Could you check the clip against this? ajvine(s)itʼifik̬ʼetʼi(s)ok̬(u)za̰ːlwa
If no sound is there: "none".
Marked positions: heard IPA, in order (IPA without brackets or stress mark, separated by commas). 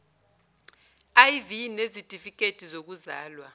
z, z, u